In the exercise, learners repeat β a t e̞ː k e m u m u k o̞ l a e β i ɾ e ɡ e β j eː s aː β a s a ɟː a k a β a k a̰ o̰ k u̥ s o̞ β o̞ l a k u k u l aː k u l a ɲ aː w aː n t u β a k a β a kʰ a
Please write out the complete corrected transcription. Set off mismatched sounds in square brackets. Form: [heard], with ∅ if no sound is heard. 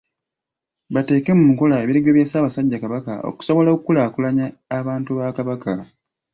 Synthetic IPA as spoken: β a t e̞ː k e m u m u k o̞ l a e β i ɾ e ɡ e β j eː s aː β a s a ɟː a k a β a k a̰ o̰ k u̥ s o̞ β o̞ l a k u k u l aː k u l a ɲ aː [β] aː n t u β a k a β a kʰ a